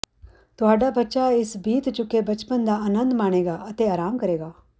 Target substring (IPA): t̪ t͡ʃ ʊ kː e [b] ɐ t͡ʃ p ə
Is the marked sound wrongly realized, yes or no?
no